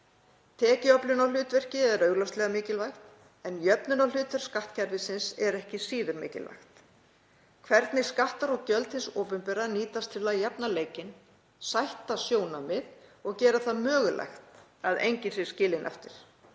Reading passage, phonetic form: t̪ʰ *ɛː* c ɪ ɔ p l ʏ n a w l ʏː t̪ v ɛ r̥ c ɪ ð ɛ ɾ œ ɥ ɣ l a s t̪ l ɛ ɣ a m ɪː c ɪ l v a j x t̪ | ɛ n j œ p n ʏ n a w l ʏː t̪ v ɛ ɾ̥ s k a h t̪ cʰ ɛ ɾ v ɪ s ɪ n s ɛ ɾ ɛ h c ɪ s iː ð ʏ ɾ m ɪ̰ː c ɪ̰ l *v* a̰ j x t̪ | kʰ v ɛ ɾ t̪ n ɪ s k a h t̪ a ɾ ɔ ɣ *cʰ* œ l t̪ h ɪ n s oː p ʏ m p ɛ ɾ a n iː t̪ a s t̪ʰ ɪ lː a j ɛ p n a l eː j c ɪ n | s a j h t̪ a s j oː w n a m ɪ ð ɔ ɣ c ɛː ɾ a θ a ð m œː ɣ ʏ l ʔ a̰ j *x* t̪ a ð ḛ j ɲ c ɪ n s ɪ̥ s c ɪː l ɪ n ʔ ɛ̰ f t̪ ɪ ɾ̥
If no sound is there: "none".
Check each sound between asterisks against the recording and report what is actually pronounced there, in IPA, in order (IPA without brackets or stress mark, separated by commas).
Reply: ɛː, v, c, x